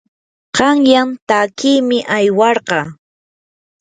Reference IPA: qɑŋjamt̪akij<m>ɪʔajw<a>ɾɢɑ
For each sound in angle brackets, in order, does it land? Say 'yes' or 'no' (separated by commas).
yes, no